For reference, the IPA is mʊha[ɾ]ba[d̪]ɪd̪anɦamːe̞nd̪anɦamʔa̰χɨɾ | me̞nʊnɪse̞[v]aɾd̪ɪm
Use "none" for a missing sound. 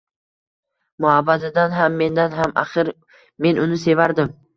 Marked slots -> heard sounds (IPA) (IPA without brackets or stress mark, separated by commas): none, d̪, v